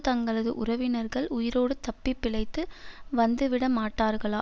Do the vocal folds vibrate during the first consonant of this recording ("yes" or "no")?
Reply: no